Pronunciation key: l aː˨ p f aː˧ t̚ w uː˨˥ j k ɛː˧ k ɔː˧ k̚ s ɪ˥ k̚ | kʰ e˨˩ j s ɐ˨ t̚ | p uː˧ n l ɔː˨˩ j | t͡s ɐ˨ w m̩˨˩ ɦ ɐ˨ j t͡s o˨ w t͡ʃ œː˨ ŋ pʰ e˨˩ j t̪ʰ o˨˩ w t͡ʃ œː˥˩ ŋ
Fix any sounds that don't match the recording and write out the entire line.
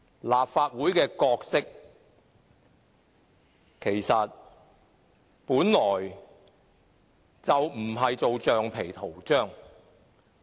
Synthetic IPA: l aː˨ p f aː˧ t̚ w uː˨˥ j k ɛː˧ k ɔː˧ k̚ s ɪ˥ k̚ | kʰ e˨˩ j s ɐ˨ t̚ | p uː˨˥ n l ɔː˨˩ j | t͡s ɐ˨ w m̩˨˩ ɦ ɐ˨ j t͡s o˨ w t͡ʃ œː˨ ŋ pʰ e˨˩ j t̪ʰ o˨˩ w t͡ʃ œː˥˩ ŋ